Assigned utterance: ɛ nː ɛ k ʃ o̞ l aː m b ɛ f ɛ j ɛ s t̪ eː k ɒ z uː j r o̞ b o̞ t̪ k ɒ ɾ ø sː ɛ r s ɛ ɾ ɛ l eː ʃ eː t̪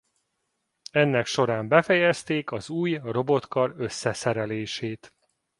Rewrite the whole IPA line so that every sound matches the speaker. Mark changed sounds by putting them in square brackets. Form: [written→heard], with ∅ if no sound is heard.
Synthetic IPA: ɛ nː ɛ k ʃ o̞ [l→ɾ] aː m b ɛ f ɛ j ɛ s t̪ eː k ɒ z uː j r o̞ b o̞ t̪ k ɒ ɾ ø sː ɛ [r→∅] s ɛ ɾ ɛ l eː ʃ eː t̪